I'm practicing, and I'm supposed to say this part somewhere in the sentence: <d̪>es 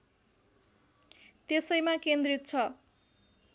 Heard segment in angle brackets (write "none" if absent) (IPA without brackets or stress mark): t̪